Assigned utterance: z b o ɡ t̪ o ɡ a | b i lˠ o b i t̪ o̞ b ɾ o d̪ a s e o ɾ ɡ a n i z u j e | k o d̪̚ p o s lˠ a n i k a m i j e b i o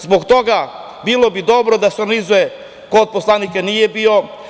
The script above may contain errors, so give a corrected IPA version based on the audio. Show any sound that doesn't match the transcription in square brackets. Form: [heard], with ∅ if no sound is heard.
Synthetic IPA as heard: z b o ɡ t̪ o ɡ a | b i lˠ o b i [d̪] o̞ b ɾ o d̪ a s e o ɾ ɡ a n i z u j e | k o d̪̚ p o s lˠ a n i k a [n] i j e b i o